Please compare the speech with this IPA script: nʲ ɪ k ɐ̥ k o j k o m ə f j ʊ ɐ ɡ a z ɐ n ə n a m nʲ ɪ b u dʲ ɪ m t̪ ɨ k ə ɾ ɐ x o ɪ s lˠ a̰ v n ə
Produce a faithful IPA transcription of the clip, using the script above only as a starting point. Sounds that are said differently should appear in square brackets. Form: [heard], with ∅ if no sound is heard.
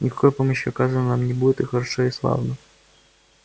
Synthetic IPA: nʲ ɪ k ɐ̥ k o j [p] o m ə [ɕ] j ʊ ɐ [k] a z [ə] n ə n a m nʲ ɪ b u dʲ ɪ [∅] t̪ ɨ [x] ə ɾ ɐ [ʂ] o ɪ s lˠ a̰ v n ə